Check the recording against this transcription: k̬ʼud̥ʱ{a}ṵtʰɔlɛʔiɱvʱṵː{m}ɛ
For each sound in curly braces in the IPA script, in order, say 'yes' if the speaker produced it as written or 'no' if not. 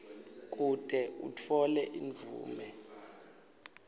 no, yes

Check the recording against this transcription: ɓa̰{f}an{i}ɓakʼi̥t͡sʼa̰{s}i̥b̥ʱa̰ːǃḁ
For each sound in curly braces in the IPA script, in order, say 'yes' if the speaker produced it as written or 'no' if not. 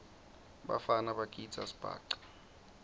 yes, no, yes

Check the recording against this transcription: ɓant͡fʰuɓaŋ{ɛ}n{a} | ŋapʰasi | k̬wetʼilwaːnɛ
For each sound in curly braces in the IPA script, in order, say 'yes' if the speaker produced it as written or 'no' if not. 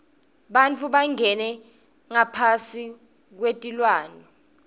yes, no

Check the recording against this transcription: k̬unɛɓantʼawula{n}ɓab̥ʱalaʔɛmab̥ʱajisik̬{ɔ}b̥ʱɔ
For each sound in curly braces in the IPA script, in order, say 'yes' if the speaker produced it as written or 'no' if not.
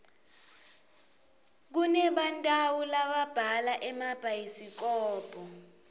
no, no

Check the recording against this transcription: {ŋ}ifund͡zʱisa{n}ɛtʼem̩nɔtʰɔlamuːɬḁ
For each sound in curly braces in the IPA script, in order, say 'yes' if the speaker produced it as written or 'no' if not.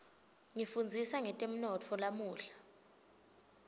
yes, no

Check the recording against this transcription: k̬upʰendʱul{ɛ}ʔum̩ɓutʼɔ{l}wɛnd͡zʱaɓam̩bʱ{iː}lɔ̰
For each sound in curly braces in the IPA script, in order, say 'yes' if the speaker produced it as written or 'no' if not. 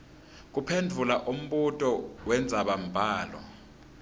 no, no, no

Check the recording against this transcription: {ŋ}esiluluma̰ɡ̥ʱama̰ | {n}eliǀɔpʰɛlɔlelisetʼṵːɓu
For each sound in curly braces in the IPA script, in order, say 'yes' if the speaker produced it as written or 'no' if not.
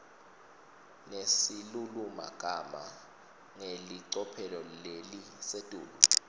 no, no

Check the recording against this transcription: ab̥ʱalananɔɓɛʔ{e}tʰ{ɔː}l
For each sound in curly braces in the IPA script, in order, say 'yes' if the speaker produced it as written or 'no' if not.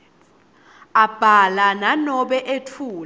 yes, no

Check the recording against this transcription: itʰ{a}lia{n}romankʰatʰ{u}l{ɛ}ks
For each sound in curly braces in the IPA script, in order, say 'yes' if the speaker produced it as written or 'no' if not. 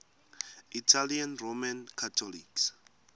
yes, yes, no, no

